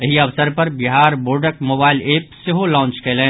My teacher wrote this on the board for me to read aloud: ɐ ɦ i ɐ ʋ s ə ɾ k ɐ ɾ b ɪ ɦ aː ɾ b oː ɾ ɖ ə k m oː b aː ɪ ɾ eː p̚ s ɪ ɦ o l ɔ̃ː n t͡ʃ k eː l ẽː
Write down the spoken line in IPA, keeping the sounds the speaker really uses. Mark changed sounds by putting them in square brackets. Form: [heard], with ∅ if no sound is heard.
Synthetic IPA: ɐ ɦ i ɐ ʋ s ə ɾ [p] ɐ ɾ b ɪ ɦ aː ɾ b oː ɾ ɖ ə k m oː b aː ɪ [l] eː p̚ s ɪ ɦ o l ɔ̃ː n t͡ʃ k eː l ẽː